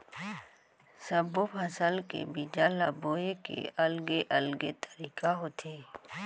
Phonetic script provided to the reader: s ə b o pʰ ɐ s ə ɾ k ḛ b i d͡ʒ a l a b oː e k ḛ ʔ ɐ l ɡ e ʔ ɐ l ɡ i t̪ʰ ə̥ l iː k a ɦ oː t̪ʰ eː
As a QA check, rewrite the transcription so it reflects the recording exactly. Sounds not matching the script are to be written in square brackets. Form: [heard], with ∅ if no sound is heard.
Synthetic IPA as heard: s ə b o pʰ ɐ s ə [l] k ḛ b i d͡ʒ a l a b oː e k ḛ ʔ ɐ l ɡ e ʔ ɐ l ɡ [e] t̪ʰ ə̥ [ɾ] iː k a ɦ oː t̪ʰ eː